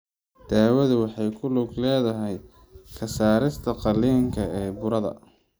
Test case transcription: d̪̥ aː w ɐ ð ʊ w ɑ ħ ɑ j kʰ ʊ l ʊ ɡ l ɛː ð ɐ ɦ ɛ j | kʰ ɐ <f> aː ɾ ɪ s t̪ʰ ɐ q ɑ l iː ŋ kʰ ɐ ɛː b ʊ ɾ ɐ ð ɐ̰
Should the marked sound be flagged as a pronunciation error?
yes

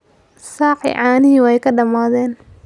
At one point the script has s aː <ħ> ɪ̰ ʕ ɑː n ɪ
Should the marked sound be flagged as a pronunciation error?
no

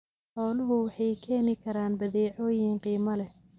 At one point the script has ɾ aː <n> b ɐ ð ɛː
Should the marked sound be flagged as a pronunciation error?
no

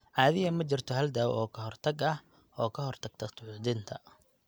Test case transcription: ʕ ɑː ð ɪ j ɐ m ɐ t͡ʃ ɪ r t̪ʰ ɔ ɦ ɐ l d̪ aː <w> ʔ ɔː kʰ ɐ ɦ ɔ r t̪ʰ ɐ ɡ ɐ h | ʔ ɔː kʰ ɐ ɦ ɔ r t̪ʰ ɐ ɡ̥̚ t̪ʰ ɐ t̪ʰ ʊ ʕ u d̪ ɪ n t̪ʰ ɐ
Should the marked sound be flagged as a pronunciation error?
no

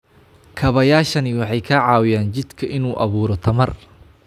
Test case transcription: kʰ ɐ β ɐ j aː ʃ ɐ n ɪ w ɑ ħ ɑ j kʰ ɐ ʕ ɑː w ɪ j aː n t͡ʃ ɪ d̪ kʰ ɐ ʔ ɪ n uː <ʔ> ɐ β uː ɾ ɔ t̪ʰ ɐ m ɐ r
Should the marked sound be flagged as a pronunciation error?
no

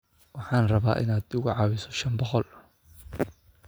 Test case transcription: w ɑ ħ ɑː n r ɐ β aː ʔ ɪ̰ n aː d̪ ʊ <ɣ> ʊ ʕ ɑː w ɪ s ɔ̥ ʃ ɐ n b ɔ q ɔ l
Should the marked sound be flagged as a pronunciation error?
no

